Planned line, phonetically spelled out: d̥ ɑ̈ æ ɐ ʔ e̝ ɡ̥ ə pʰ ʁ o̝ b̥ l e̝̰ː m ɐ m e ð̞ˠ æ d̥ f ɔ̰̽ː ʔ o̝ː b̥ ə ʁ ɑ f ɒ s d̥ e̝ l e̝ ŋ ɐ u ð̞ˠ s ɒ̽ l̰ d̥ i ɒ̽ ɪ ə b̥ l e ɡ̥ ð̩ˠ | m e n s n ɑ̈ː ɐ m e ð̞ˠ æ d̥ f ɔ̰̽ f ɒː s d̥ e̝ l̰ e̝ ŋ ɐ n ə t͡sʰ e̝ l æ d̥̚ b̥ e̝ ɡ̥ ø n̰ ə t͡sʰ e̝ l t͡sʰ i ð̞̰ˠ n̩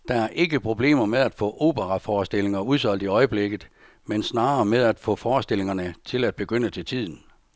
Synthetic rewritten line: d̥ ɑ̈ æ ɐ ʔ e̝ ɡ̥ ə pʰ ʁ o̝ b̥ l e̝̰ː m ɐ m e ð̞ˠ æ d̥ f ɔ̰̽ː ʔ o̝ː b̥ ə ʁ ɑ f ɒː s d̥ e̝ l e̝ ŋ ɐ u ð̞ˠ s ɒ̽ l̰ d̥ i ɒ̽ ɪ ə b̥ l e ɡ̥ ð̩ˠ | m e n s n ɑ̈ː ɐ m e ð̞ˠ æ d̥ f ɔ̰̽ f ɒː s d̥ e̝ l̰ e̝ ŋ ɐ n ə t͡sʰ e̝ l æ d̥̚ b̥ e̝ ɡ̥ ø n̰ ə t͡sʰ e̝ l t͡sʰ i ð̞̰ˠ n̩